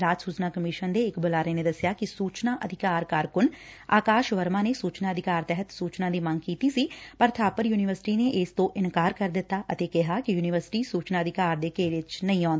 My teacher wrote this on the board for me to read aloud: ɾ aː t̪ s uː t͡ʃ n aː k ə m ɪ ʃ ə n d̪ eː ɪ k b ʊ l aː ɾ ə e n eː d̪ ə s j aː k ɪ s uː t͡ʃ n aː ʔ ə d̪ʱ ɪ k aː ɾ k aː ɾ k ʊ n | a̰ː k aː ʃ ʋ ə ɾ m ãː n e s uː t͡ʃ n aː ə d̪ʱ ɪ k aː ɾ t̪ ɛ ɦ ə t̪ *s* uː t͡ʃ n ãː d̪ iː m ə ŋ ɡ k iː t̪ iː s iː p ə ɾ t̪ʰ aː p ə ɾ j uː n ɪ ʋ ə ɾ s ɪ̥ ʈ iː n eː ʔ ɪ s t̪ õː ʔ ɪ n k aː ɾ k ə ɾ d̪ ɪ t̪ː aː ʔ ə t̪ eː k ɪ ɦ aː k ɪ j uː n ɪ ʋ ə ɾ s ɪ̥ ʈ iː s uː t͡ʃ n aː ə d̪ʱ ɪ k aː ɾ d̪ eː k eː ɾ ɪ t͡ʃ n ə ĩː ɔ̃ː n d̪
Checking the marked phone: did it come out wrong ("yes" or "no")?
no